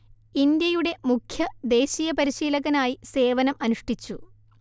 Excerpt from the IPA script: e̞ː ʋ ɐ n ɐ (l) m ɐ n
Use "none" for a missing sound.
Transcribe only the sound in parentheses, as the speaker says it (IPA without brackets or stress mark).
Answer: none